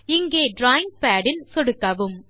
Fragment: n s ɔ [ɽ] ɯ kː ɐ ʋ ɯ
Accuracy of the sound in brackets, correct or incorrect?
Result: correct